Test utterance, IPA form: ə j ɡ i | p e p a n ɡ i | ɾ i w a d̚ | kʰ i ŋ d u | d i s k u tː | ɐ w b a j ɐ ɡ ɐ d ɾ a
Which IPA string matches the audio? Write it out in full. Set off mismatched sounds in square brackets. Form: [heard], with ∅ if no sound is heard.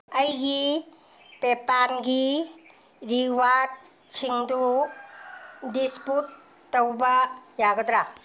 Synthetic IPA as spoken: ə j ɡ i | p e p a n ɡ i | ɾ i w a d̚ | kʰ i ŋ d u | d i s [p] u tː | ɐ w b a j [a] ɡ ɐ d ɾ a